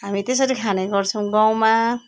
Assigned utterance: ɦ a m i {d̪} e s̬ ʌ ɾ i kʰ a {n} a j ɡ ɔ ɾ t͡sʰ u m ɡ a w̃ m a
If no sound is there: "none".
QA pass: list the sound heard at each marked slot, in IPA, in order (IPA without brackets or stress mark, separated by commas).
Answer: t̪, n